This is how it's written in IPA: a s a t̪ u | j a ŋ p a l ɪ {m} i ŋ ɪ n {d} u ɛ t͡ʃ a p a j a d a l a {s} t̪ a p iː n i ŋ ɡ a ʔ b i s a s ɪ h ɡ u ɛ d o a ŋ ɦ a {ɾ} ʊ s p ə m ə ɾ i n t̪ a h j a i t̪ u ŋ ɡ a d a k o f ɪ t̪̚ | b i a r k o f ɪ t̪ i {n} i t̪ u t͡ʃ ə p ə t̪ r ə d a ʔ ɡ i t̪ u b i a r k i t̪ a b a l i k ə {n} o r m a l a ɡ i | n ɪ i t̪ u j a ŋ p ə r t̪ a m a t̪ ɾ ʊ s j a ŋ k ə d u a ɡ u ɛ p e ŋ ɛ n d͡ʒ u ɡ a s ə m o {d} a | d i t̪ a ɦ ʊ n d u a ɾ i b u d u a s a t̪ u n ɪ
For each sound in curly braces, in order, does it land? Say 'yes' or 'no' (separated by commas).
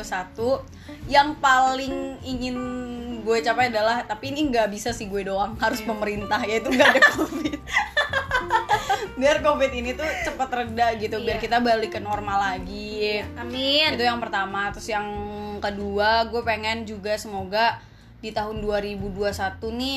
no, no, no, yes, yes, yes, no